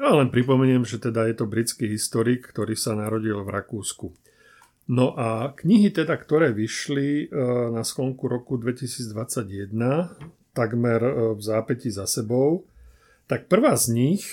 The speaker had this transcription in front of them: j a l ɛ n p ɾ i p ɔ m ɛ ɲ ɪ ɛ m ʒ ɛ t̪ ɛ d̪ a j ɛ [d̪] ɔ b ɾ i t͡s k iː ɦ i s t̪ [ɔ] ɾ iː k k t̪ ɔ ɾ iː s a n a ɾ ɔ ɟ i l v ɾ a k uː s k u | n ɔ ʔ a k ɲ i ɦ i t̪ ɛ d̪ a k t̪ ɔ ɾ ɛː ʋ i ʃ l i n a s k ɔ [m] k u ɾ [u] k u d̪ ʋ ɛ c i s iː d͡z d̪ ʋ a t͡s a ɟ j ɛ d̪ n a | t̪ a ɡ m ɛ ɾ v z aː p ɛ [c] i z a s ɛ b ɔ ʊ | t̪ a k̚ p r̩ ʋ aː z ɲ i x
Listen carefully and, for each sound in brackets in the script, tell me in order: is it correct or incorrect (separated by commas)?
incorrect, correct, incorrect, incorrect, correct